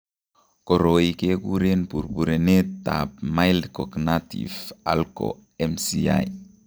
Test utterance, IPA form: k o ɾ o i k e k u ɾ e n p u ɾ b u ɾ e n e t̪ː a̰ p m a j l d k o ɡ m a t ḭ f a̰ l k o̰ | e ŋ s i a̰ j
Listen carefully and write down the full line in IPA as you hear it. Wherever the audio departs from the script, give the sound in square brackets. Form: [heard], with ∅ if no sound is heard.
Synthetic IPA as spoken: k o ɾ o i k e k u ɾ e n p u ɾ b u ɾ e n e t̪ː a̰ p m a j l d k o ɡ [n] a t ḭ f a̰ l k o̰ | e [m] s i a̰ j